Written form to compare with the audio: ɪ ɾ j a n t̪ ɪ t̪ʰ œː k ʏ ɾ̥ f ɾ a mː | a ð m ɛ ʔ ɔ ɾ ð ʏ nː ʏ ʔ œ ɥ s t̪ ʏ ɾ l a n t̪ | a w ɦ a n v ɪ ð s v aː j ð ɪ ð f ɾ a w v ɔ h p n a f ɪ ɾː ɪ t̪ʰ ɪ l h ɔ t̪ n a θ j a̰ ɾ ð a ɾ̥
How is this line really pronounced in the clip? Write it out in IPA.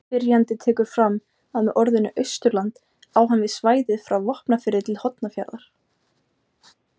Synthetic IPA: ɪ ɾ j a n t̪ ɪ t̪ʰ ɛː k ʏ ɾ̥ f ɾ a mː | a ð m ɛ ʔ ɔ ɾ ð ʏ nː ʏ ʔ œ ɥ s t̪ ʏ ɾ l a n t̪ | a w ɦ a n v ɪ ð s v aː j ð ɪ ð f ɾ a w v ɔ h p n a f ɪ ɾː ɪ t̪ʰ ɪ l h ɔ t̪ n a f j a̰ ɾ ð a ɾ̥